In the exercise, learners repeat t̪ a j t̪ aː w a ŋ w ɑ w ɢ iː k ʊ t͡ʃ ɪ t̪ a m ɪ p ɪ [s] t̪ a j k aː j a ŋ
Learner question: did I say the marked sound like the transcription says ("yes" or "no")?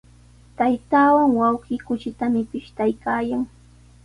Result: no